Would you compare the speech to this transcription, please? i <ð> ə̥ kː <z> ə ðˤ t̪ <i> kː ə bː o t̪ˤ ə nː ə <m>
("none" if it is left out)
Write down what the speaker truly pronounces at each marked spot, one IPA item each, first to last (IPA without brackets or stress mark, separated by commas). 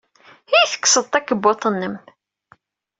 θ, s, æ, m